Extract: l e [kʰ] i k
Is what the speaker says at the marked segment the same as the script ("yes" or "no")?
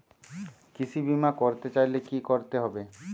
no